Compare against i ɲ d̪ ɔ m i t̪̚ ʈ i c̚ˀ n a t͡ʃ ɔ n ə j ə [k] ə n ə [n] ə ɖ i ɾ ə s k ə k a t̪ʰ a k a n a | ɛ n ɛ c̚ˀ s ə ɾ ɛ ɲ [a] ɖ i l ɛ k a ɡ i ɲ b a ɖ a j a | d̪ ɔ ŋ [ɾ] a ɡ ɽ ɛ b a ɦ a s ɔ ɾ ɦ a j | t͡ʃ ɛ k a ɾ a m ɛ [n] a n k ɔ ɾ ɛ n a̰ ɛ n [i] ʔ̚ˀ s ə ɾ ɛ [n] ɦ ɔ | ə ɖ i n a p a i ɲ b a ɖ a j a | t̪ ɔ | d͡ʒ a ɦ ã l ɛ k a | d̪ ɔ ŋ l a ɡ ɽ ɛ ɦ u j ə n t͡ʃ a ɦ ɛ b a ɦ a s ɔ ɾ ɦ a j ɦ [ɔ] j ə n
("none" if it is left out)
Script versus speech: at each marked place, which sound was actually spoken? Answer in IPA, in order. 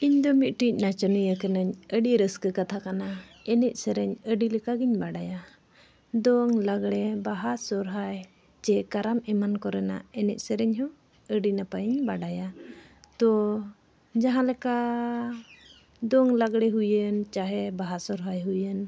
k, ɲ, ə, l, m, ɛ, ɲ, u

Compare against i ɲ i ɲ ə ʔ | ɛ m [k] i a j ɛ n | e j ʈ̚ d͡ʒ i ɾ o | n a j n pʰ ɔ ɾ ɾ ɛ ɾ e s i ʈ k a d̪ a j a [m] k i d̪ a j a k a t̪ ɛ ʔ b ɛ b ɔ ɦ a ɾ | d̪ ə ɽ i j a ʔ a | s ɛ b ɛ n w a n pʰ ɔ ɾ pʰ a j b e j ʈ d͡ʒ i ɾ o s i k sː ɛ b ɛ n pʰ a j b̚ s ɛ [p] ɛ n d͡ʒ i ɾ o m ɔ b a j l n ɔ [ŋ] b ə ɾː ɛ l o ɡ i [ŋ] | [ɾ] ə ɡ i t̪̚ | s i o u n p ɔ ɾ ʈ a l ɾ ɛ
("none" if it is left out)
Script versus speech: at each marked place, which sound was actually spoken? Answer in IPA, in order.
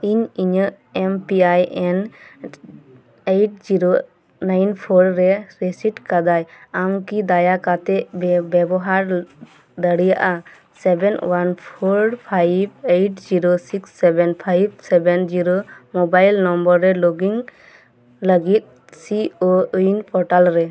p, m, b, m, ŋ, l

